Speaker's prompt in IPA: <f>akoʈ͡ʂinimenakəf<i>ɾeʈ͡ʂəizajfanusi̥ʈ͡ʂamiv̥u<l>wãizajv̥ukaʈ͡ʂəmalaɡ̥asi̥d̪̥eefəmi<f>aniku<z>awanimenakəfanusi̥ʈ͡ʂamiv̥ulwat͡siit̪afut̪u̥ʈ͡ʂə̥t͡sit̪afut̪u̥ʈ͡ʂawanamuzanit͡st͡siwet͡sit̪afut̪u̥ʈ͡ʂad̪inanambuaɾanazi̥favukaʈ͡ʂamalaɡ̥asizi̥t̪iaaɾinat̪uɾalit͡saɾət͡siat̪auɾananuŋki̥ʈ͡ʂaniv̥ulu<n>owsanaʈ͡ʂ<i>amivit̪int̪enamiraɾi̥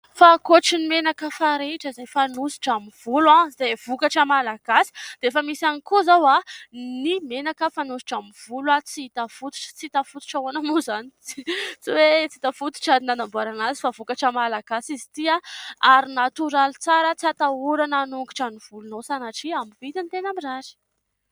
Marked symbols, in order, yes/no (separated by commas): yes, no, yes, no, yes, yes, yes